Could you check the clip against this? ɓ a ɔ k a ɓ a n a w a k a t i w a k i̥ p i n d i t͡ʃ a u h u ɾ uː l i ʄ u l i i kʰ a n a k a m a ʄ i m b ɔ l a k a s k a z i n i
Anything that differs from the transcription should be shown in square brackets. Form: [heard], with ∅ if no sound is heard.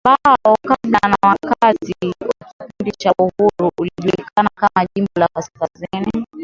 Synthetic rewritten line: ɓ a ɔ k a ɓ a n a w a k a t i w a k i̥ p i n d i t͡ʃ a u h u ɾ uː l i ʄ u l i i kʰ a n a k a m a ʄ i m b ɔ l a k a s k a z i n i